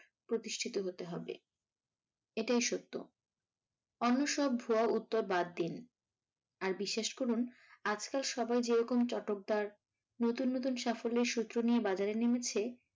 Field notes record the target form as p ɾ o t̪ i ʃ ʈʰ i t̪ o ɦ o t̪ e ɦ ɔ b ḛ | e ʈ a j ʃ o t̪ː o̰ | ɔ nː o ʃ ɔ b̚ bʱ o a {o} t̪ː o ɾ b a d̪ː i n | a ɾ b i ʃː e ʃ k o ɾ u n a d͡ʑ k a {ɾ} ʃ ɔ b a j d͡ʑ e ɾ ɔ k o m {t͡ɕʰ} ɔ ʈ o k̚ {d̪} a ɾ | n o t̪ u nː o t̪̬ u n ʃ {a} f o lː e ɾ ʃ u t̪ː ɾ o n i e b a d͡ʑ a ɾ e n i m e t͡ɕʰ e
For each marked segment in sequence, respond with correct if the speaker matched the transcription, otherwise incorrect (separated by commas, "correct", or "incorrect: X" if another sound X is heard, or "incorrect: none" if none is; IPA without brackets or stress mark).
incorrect: u, incorrect: l, incorrect: t͡ɕ, correct, correct